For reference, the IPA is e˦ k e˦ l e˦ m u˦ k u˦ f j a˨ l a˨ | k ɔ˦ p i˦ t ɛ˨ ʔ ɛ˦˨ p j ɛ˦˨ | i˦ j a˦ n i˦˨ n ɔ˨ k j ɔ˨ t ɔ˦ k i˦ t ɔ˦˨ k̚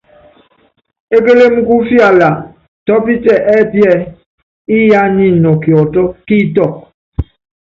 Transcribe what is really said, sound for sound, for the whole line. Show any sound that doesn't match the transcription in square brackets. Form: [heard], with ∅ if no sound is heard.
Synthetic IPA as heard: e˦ k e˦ l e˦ m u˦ k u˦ f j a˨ l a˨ | [t] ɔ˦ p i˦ t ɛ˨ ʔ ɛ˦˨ p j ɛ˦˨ | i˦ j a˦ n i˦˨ n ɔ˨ k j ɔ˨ t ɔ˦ k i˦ t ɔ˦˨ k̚